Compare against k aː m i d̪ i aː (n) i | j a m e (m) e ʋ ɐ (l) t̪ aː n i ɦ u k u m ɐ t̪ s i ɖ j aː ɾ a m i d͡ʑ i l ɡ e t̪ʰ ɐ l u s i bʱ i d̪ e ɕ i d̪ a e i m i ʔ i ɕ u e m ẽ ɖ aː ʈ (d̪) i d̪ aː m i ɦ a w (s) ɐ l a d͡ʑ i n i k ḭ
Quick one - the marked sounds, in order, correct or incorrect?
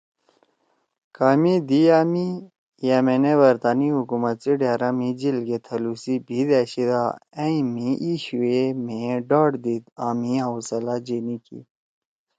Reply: incorrect: m, incorrect: n, incorrect: ɾ, correct, correct

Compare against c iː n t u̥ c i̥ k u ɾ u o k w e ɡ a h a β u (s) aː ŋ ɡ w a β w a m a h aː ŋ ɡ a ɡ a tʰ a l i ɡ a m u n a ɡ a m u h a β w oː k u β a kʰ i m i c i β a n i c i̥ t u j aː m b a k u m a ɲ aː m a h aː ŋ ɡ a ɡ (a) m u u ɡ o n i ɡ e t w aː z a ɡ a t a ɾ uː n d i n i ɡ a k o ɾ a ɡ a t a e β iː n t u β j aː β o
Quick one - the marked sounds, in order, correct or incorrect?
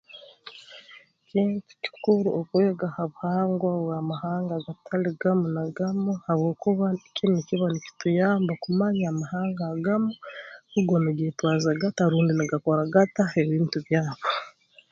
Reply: incorrect: h, correct

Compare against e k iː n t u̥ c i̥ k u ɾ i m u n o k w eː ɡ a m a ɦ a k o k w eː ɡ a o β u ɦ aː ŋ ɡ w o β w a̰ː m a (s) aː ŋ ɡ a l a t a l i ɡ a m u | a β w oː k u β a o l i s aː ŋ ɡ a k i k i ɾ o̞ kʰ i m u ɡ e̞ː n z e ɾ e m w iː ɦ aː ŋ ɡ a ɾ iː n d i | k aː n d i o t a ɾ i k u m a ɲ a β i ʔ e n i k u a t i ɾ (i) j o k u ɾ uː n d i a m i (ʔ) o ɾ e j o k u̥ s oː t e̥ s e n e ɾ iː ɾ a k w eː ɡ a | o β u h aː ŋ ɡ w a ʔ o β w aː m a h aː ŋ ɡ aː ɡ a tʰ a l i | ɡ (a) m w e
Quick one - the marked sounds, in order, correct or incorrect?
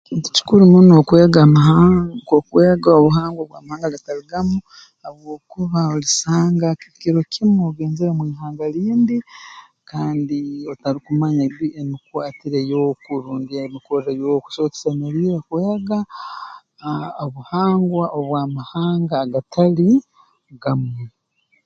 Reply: incorrect: h, incorrect: e, incorrect: k, correct

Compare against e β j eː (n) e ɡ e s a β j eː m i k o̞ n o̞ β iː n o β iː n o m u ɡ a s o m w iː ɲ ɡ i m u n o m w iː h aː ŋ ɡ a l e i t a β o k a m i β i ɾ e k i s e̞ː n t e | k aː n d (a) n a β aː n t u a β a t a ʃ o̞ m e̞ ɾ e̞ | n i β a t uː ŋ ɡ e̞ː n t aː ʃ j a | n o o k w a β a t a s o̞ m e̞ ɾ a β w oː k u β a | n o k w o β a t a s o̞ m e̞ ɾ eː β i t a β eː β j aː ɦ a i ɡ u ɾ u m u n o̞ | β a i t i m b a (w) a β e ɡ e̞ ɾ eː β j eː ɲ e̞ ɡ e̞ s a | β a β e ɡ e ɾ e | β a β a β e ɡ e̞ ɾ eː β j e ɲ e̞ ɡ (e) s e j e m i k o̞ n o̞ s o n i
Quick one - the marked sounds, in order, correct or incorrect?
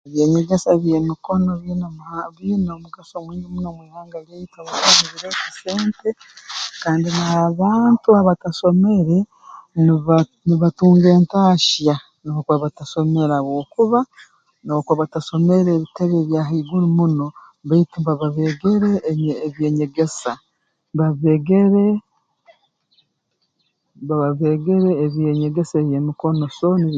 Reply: incorrect: ɲ, incorrect: i, incorrect: β, correct

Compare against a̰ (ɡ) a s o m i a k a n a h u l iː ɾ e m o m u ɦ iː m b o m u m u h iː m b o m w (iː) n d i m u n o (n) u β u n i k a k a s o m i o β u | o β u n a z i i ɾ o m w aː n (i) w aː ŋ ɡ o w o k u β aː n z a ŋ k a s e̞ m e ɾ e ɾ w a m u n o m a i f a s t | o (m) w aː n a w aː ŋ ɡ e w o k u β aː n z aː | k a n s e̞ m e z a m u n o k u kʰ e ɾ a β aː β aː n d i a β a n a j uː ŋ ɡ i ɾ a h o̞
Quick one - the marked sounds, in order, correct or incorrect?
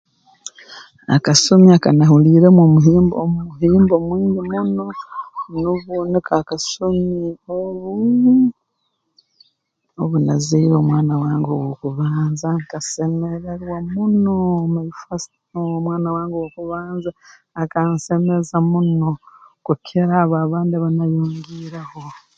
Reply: incorrect: k, correct, correct, incorrect: a, correct

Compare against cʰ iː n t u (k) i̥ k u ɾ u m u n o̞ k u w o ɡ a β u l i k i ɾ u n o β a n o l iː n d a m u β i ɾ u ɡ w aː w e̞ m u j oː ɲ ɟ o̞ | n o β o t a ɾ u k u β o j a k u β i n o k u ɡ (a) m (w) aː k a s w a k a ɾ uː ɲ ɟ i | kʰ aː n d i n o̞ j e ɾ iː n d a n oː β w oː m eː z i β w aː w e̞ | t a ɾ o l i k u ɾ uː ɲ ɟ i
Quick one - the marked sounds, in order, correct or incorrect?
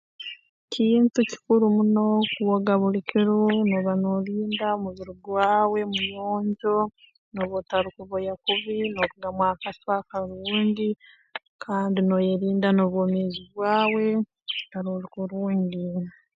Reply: incorrect: c, correct, correct

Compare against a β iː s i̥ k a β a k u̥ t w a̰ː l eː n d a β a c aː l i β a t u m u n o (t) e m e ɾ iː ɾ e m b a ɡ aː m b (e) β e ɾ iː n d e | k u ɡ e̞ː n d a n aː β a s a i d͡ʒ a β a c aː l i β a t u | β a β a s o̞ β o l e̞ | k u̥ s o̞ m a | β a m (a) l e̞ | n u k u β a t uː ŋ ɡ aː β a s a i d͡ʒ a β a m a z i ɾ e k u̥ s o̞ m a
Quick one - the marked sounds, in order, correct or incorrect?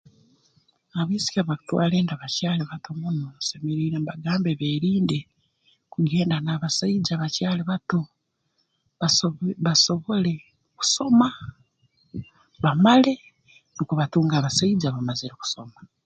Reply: incorrect: s, correct, correct

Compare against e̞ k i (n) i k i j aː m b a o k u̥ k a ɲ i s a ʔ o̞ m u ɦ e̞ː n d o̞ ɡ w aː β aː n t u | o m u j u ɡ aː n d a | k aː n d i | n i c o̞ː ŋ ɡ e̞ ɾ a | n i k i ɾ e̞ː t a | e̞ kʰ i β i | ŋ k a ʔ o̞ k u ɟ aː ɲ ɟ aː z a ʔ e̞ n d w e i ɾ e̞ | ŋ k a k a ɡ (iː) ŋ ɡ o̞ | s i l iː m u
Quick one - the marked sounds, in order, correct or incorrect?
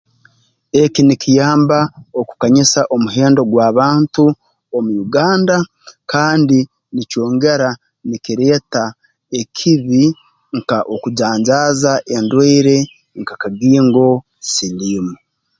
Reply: correct, correct

